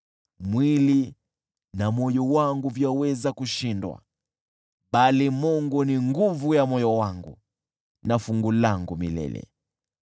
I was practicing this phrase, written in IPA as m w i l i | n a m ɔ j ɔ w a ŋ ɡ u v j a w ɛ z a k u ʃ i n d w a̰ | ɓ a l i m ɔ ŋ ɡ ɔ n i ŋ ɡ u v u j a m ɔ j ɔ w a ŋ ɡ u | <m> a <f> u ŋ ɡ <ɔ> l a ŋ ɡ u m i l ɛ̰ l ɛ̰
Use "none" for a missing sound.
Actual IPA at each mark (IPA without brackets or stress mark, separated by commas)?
n, f, u